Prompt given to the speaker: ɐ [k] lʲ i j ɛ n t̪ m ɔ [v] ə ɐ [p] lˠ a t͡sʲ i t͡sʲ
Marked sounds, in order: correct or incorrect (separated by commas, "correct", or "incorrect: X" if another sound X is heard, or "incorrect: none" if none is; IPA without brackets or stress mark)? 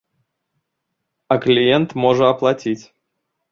correct, incorrect: ʐ, correct